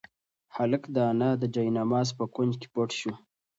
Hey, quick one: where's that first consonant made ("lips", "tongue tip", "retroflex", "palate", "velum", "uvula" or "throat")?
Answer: throat